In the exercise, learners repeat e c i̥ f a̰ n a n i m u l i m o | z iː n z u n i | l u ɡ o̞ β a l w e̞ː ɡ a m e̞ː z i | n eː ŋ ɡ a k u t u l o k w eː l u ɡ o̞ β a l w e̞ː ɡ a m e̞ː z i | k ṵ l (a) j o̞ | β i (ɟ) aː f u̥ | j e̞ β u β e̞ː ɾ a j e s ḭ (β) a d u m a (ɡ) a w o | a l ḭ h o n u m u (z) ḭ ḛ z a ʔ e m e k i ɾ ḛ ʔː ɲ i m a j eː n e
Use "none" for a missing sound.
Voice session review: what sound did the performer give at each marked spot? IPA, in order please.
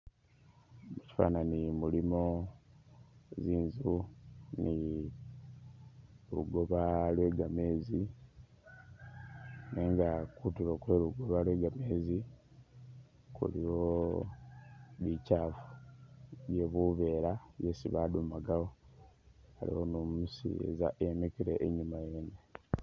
i, c, β, ɡ, s

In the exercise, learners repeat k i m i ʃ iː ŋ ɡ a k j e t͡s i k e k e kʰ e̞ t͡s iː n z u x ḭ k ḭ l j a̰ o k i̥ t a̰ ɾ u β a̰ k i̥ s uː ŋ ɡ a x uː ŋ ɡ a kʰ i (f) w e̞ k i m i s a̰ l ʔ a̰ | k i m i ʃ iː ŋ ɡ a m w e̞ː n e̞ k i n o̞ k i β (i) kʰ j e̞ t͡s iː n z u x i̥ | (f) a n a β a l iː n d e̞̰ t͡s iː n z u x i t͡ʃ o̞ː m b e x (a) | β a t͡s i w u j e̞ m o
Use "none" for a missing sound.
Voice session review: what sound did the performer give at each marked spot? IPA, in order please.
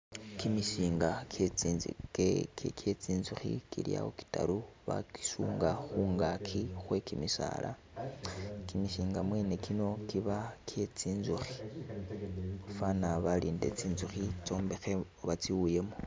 x, a, f, e

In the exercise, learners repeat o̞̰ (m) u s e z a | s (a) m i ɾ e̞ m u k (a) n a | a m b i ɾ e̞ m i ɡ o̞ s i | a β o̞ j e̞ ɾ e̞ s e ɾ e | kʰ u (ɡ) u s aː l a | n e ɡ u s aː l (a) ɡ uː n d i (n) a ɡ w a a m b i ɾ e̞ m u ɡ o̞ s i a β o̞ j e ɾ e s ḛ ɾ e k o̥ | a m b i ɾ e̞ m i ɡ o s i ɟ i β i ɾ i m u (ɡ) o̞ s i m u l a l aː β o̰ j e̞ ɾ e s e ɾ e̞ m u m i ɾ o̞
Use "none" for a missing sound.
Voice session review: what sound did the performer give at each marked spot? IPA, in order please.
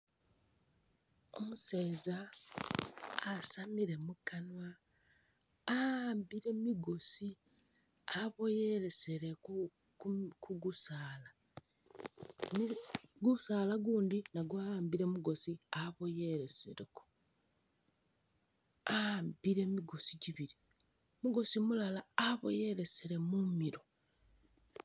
m, a, a, ɡ, a, n, ɡ

